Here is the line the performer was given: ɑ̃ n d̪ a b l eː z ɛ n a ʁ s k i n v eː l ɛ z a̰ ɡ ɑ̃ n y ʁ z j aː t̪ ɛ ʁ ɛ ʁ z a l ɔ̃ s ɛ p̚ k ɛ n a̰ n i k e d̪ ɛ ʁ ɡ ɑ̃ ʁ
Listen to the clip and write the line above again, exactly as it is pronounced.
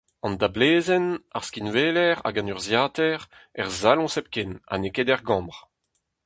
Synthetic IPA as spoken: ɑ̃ n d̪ a b l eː z ɛ n a ʁ s k i n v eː l ɛ ʁ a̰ ɡ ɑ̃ n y ʁ z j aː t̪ ɛ ʁ ɛ ʁ z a l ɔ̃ s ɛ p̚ k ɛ n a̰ n e k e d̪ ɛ ʁ ɡ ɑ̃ ʁ

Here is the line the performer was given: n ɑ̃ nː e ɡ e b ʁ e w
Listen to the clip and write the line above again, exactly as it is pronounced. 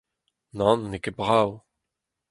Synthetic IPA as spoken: n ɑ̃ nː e k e b ʁ a w

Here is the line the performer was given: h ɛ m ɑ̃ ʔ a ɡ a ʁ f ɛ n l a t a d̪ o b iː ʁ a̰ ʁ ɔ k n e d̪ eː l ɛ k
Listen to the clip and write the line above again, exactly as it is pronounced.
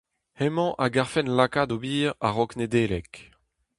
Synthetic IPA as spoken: h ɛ m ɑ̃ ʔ a ɡ a ʁ f ɛ n l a k a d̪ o b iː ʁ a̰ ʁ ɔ k n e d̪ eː l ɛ k

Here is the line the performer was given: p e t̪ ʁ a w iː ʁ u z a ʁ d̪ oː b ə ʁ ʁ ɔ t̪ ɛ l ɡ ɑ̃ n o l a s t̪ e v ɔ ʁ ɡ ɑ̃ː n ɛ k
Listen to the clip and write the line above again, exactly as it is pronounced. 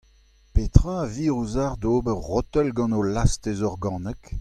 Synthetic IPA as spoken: p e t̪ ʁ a v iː ʁ u z a ʁ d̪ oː b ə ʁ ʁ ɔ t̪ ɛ l ɡ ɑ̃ n o l a s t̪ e z ɔ ʁ ɡ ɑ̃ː n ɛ k

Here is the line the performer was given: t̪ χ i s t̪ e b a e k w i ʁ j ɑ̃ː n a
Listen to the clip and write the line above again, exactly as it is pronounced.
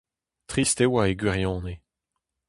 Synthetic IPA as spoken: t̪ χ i s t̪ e w a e ɡ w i ʁ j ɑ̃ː n e

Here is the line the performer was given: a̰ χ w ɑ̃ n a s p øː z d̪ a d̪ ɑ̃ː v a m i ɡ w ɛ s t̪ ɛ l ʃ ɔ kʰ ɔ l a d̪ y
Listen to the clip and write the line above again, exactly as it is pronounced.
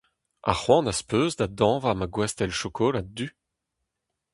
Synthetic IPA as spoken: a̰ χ w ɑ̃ n a s p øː z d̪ a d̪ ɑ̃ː v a m a ɡ w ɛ s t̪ ɛ l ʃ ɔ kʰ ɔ l a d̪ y

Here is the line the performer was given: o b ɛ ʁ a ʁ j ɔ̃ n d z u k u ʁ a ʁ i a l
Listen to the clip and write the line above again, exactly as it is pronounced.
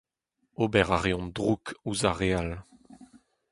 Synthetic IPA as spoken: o b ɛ ʁ a ʁ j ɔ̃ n d ʁ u k u z a ʁ e a l

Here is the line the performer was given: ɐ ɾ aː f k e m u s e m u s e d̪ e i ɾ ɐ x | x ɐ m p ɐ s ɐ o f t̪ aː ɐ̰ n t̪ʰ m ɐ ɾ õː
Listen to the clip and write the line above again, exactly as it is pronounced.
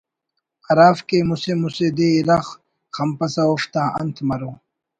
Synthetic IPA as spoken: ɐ ɾ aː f k e m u s e m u s e d̪ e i ɾ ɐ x | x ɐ m p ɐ s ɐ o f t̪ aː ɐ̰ n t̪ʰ m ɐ ɾ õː

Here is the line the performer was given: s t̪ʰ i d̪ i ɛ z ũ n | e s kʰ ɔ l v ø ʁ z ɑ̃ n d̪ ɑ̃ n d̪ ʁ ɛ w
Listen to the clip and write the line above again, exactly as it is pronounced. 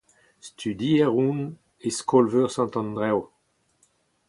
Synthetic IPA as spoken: s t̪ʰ y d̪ i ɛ ʁ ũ n | e s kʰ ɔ l v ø ʁ s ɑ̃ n t̪ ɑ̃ n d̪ ʁ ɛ w

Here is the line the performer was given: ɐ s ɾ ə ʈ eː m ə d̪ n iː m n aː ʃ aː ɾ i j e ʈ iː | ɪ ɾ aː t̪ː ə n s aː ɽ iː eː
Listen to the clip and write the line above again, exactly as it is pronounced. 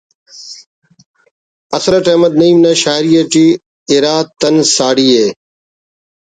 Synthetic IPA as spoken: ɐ s ɾ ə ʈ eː m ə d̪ n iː m n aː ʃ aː ɾ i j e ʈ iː | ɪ ɾ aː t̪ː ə n s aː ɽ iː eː

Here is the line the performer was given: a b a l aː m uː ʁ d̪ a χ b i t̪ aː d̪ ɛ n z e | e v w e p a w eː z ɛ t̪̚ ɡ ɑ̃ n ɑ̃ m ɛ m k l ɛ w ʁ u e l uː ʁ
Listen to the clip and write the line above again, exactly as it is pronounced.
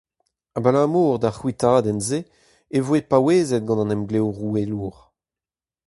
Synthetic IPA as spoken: a b a l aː m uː ʁ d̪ a χ w i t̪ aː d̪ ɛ n z e | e v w e p a w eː z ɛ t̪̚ ɡ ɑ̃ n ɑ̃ n ɛ m ɡ l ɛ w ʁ u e l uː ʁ

